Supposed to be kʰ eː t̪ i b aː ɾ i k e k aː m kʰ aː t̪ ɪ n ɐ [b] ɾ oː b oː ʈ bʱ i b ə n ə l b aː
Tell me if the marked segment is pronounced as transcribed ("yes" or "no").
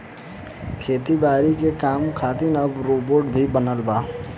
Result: yes